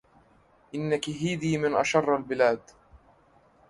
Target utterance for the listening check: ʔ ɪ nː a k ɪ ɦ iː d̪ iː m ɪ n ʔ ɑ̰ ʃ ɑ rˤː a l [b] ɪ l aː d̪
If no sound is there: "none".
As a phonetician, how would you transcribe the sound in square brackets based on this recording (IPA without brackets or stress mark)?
b